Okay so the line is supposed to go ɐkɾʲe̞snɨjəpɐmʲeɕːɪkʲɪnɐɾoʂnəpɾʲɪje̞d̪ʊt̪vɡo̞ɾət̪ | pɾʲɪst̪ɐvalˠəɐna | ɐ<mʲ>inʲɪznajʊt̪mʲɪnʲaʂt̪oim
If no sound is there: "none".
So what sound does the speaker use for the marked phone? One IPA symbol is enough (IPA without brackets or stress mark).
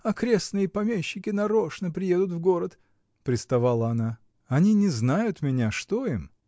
nʲ